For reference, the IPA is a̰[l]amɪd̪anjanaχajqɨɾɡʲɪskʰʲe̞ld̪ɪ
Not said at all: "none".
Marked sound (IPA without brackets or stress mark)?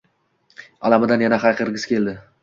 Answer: l